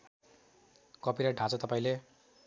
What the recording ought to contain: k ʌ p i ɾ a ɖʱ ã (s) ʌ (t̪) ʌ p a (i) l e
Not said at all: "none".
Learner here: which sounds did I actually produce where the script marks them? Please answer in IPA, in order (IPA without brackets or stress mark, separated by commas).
t͡s, t̪, ĩ